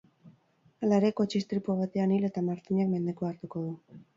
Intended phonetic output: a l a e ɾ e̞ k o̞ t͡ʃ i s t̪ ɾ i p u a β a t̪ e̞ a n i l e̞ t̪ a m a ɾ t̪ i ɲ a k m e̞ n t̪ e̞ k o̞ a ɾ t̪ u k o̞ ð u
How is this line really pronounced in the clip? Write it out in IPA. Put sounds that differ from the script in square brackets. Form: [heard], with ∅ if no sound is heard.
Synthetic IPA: a l a e ɾ e̞ k o̞ t͡ʃ i s t̪ ɾ i p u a β a t̪ e̞ a n i l e̞ t̪ a m a ɾ t̪ i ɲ a k m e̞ n [d̪] e̞ k o̞ a ɾ t̪ u k o̞ ð u